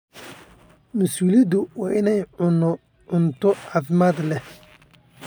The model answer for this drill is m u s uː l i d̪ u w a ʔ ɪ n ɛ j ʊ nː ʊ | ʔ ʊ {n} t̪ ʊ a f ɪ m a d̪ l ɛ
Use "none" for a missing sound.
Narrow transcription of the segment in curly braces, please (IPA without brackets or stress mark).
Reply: n